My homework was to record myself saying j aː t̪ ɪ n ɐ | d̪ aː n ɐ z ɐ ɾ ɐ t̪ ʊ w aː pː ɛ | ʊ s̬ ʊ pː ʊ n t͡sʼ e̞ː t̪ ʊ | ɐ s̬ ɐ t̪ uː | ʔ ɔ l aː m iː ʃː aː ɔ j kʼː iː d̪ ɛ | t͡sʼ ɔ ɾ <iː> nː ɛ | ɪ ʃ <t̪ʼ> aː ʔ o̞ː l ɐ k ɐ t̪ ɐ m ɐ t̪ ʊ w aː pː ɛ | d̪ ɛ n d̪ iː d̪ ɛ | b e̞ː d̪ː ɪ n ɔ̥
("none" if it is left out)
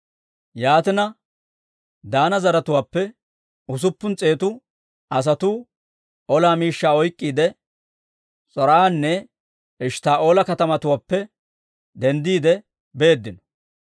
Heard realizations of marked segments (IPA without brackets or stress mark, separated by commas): aː, t̪